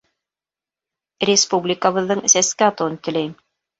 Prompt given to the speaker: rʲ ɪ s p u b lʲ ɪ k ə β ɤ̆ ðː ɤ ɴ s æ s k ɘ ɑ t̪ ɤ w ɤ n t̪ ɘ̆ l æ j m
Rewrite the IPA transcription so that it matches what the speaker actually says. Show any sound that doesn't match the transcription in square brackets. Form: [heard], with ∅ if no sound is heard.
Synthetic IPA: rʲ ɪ s p u b lʲ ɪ k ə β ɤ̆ ðː ɤ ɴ s æ s k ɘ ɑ t̪ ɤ w ɤ n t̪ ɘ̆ l æ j m